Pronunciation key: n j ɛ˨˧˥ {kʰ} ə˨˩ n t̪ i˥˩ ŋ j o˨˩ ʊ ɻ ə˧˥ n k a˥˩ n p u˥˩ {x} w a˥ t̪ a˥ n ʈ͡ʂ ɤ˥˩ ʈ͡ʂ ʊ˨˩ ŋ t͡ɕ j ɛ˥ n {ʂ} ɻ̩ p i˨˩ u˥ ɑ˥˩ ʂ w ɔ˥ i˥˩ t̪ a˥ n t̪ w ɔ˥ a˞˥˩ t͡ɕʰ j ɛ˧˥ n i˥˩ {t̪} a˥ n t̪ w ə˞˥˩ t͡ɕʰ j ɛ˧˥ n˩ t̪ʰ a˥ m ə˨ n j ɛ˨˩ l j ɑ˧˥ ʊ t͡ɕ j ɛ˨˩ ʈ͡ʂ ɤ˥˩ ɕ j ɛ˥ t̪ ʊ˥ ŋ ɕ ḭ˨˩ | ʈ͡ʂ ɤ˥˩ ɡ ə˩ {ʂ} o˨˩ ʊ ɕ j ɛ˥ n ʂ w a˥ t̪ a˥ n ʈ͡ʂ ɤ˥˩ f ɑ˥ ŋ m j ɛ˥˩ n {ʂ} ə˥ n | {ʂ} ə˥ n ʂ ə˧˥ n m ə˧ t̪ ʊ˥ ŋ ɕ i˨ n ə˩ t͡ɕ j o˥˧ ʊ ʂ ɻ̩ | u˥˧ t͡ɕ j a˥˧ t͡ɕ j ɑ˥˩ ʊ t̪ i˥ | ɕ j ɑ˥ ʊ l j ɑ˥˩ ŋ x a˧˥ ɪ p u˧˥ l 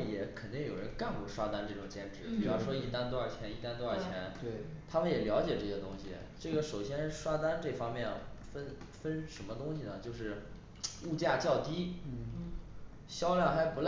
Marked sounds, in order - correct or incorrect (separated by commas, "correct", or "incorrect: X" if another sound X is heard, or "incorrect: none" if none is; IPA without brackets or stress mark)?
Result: correct, incorrect: ʂ, incorrect: ʈ͡ʂ, correct, correct, incorrect: f, incorrect: f